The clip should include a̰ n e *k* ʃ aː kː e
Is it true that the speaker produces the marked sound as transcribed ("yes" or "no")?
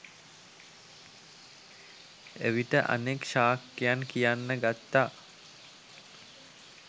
yes